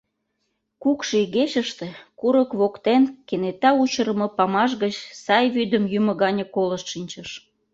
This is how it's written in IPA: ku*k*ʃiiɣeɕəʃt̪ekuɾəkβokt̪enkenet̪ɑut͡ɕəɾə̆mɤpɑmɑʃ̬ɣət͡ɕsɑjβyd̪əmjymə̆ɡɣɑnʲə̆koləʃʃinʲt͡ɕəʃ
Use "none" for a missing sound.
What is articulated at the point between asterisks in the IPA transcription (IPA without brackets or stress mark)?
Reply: k